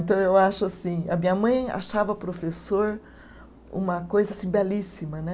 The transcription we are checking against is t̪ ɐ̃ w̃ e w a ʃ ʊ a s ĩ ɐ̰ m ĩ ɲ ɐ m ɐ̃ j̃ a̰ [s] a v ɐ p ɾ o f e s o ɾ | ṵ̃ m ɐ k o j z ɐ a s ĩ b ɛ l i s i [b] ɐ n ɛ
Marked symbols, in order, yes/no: no, no

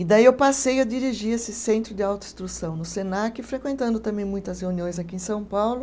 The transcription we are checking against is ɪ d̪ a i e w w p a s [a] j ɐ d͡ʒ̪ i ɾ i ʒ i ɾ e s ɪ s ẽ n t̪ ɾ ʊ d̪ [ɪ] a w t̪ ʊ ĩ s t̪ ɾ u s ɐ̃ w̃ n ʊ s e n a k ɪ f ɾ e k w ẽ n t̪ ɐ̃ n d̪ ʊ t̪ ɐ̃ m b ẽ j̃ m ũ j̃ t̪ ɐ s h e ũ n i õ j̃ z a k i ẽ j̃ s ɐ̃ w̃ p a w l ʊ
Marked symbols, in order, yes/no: no, yes

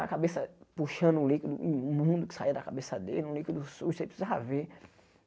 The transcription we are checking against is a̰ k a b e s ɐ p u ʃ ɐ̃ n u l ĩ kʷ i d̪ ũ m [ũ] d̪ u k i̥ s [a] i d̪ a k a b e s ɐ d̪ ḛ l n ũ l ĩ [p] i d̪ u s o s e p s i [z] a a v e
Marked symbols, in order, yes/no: yes, yes, no, yes

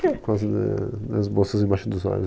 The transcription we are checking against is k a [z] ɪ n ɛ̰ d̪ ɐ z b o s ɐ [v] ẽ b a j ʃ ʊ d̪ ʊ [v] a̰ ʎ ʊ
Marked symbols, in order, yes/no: yes, no, no

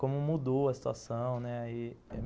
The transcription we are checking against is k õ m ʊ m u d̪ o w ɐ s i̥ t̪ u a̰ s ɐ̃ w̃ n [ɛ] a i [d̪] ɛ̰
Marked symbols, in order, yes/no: yes, no

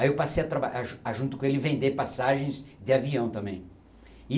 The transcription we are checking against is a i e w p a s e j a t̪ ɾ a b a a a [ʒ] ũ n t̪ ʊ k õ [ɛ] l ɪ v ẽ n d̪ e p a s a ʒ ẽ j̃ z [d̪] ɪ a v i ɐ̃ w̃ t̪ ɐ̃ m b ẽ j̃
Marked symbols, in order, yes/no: yes, no, yes

